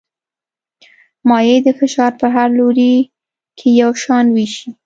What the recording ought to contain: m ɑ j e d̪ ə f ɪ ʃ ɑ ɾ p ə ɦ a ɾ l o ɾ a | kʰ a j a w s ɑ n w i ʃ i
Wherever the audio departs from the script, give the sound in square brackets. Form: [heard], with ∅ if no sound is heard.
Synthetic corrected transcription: m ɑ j e d̪ ə f ɪ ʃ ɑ ɾ p ə ɦ a ɾ l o ɾ [i] | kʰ [e] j a w [ʃ] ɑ n w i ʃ i